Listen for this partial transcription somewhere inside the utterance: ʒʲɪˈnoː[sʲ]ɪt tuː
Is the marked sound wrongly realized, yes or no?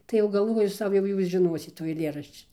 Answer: no